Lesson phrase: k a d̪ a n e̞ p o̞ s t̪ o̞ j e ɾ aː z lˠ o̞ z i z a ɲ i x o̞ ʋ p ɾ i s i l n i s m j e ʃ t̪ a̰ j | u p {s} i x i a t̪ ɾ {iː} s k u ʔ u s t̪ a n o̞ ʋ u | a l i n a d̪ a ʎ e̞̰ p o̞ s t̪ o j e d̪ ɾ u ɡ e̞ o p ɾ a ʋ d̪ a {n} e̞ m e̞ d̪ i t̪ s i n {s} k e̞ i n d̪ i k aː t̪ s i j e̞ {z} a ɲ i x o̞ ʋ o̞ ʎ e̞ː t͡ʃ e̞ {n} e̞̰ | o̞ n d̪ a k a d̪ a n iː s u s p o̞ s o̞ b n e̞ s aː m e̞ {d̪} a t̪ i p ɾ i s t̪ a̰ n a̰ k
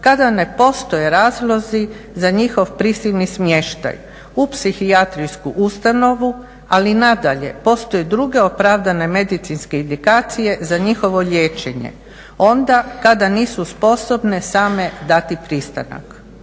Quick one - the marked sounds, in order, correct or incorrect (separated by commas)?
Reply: correct, incorrect, correct, correct, correct, incorrect, correct